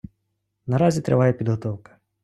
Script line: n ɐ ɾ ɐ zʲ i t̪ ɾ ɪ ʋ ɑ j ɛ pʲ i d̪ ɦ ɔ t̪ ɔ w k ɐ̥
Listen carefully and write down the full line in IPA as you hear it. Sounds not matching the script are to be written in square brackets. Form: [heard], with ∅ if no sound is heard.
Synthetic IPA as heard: n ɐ ɾ [ɑ] zʲ i t̪ ɾ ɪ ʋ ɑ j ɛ pʲ i d̪ ɦ ɔ t̪ ɔ w k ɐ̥

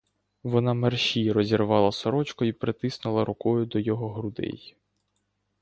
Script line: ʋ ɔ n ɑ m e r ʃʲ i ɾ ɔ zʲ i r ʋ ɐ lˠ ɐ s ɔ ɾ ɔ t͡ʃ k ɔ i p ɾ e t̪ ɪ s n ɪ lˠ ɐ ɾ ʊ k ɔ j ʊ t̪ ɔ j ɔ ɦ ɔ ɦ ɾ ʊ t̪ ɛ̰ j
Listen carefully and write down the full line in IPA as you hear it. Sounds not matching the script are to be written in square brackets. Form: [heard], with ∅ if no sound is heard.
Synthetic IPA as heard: ʋ ɔ n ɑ m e r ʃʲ i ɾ ɔ zʲ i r ʋ [ɑ] lˠ ɐ s ɔ ɾ ɔ t͡ʃ k ɔ i p ɾ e t̪ ɪ s n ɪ lˠ ɐ ɾ ʊ k ɔ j ʊ [d̪] ɔ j ɔ ɦ ɔ ɦ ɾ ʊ [d̪] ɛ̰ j

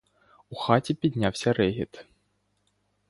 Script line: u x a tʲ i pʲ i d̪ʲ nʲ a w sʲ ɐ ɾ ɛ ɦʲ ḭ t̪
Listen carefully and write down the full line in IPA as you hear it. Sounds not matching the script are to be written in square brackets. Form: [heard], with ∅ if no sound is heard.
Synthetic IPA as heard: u x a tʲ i pʲ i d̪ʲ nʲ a w sʲ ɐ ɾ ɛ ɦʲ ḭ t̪

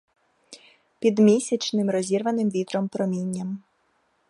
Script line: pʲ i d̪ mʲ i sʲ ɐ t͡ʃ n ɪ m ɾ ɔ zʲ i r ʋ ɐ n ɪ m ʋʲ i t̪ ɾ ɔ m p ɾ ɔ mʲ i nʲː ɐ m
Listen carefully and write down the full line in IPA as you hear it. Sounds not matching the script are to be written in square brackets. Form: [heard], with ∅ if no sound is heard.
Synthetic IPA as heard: pʲ i d̪ mʲ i sʲ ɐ t͡ʃ n ɪ m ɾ ɔ zʲ i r ʋ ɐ n ɪ m ʋʲ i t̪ ɾ ɔ m p ɾ ɔ mʲ i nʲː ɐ m

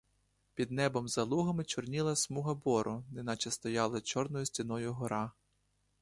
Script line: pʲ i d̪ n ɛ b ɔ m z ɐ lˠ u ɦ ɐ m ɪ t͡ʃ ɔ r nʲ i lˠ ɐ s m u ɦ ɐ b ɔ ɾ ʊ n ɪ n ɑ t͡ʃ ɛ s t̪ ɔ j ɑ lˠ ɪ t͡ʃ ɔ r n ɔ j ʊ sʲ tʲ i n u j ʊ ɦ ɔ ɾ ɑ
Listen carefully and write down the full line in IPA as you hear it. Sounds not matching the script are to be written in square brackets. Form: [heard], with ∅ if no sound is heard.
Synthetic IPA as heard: pʲ i d̪ n ɛ b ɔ m z ɐ lˠ u ɦ ɐ m ɪ t͡ʃ ɔ r nʲ i lˠ ɐ s m u ɦ ɐ b ɔ ɾ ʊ n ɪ n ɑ t͡ʃ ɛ s t̪ ɔ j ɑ lˠ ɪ t͡ʃ ɔ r n ɔ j ʊ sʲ tʲ i n [ɔ] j ʊ ɦ ɔ ɾ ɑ

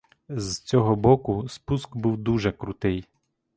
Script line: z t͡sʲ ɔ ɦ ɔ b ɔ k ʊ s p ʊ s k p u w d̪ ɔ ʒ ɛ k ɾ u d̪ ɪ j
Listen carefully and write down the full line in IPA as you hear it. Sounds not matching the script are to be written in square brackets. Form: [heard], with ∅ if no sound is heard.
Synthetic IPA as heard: z t͡sʲ ɔ ɦ ɔ b ɔ k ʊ s p [u] s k [b] u w d̪ [u] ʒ ɛ k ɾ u [t̪] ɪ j

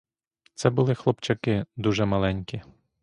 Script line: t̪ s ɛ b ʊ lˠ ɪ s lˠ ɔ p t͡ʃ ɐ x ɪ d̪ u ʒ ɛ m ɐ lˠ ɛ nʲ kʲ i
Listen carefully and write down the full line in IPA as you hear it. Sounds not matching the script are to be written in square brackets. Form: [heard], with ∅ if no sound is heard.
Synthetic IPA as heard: t̪ s ɛ b ʊ lˠ ɪ [x] lˠ ɔ p t͡ʃ ɐ [k] ɪ d̪ u ʒ ɛ m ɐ lˠ ɛ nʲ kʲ i

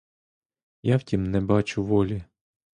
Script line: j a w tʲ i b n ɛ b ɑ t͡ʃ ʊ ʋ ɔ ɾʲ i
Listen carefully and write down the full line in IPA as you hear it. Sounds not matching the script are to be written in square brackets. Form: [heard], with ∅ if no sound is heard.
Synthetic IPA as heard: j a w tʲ i [m] n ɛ b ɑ t͡ʃ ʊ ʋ ɔ [lʲ] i

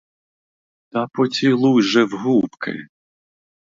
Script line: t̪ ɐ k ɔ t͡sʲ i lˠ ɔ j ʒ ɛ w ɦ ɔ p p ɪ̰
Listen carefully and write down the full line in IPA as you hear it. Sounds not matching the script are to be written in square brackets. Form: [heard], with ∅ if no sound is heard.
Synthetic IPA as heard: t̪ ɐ [p] ɔ t͡sʲ i lˠ [u] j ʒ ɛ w ɦ [u] p [k] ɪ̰

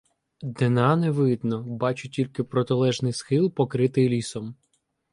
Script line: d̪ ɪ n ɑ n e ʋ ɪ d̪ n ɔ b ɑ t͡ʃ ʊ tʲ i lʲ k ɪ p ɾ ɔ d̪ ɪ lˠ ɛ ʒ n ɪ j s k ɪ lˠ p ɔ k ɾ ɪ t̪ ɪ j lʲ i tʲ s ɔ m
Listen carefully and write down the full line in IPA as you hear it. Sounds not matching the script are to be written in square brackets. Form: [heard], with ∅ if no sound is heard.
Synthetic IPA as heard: d̪ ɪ n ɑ n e ʋ ɪ d̪ n ɔ b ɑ t͡ʃ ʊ tʲ i lʲ k ɪ p ɾ ɔ [t̪] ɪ lˠ ɛ ʒ n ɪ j s [x] ɪ lˠ p ɔ k ɾ ɪ t̪ ɪ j lʲ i [∅] s ɔ m

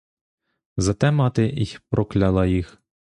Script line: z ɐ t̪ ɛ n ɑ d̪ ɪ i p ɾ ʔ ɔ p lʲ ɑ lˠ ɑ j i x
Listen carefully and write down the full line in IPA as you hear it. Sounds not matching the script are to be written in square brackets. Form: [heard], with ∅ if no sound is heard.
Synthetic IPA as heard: z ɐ t̪ ɛ [m] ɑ [t̪] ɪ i p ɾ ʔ ɔ [k] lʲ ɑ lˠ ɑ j i x

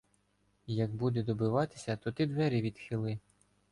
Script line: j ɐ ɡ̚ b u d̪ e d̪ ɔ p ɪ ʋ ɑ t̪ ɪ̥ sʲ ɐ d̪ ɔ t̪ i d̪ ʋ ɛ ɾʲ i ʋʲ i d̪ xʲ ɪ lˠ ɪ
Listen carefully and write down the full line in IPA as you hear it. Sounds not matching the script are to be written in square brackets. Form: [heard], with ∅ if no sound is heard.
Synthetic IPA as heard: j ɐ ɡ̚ b u d̪ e d̪ ɔ [b] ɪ ʋ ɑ t̪ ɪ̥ sʲ ɐ [t̪] ɔ t̪ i d̪ ʋ ɛ ɾʲ i ʋʲ i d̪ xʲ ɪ lˠ ɪ

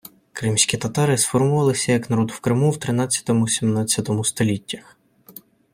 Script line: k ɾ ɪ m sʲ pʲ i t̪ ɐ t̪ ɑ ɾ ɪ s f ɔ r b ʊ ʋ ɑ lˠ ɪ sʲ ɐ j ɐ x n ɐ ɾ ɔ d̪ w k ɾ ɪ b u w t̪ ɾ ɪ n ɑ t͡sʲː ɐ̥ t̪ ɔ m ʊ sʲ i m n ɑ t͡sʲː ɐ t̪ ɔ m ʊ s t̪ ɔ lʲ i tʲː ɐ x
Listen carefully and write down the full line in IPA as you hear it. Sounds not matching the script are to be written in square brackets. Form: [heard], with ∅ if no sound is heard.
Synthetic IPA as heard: k ɾ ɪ m sʲ [kʲ] i t̪ ɐ t̪ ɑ ɾ ɪ s f ɔ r [m] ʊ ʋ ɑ lˠ ɪ sʲ ɐ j ɐ [k] n ɐ ɾ ɔ d̪ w k ɾ ɪ [m] u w t̪ ɾ ɪ n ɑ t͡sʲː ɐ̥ t̪ ɔ m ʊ sʲ i m n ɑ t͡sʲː ɐ t̪ ɔ m ʊ s t̪ ɔ lʲ i tʲː ɐ x

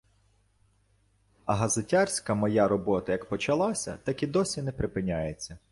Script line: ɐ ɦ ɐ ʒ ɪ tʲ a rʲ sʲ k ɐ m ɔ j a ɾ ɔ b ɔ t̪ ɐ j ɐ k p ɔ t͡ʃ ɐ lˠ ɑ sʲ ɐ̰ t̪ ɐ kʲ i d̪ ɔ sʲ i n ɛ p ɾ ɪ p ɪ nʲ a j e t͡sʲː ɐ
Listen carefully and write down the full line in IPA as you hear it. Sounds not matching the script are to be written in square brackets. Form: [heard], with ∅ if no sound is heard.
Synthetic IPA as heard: ɐ ɦ ɐ [z] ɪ tʲ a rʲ sʲ k ɐ m ɔ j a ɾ ɔ b ɔ t̪ ɐ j ɐ k p ɔ t͡ʃ ɐ lˠ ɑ sʲ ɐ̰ t̪ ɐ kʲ i d̪ ɔ sʲ i n ɛ p ɾ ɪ p ɪ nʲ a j e t͡sʲː ɐ

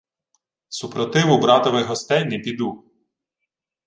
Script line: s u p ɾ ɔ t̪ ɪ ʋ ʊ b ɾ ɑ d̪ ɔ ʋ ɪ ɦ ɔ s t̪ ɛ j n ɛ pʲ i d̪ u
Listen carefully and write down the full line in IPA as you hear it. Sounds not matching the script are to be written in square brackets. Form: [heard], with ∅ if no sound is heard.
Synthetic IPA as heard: s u p ɾ ɔ t̪ ɪ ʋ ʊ b ɾ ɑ [t̪] ɔ ʋ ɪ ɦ ɔ s t̪ ɛ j n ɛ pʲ i d̪ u

